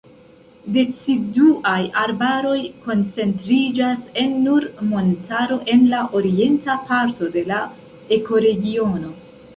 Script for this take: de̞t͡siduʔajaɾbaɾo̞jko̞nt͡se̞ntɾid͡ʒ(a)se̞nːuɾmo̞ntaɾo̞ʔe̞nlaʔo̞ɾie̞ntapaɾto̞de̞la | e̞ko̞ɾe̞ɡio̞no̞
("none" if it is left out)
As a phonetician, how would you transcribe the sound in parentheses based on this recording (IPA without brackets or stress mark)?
a